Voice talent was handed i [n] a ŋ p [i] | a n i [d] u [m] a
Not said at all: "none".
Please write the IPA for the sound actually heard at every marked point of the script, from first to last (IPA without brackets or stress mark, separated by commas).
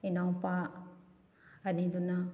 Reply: n, a, d, n